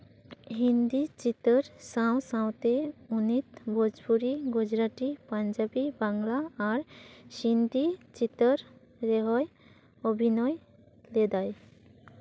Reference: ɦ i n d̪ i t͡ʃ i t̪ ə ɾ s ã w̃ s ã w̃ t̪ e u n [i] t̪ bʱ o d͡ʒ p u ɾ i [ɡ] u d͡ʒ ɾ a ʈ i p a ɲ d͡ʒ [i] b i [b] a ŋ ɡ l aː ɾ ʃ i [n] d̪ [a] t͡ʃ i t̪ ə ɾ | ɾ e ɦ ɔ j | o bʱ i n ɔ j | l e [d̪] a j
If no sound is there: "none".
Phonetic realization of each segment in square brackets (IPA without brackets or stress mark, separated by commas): i, ɡ, a, b, n, i, d̪